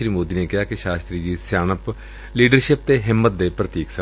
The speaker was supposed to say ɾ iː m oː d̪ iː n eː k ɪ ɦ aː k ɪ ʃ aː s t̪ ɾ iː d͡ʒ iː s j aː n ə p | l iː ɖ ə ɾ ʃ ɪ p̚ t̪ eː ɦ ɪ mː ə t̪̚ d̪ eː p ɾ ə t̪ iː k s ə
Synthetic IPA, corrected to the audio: ɾ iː m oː d̪ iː n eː k ɪ ɦ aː k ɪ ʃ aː s t̪ ɾ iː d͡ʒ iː s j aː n ə p | l iː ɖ ə ɾ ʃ ɪ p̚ t̪ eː ɦ ɪ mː ə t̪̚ d̪ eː p ɾ ə t̪ iː k s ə